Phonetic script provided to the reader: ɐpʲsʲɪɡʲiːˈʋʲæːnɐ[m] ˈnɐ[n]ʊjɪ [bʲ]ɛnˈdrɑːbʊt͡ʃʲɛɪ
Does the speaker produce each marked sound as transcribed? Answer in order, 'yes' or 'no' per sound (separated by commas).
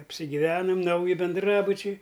yes, no, yes